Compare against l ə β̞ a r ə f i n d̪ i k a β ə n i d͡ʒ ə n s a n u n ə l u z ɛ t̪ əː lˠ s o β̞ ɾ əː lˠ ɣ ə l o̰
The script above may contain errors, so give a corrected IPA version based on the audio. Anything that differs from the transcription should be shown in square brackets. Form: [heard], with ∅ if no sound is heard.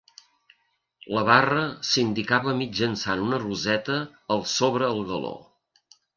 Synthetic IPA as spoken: l ə β̞ a r ə [s] i n d̪ i k a β ə [m] i d͡ʒ ə n s a n u n ə [r] u z ɛ t̪ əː lˠ s o β̞ ɾ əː lˠ ɣ ə l o̰